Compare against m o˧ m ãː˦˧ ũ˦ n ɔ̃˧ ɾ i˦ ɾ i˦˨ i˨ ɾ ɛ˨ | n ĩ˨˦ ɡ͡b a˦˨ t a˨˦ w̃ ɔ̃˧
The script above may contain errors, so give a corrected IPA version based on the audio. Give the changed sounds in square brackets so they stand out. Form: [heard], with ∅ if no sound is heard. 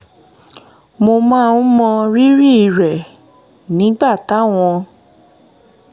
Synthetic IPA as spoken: m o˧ m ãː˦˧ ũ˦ [m] ɔ̃˧ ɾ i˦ ɾ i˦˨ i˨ ɾ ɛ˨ | n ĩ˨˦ ɡ͡b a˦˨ t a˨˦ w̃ ɔ̃˧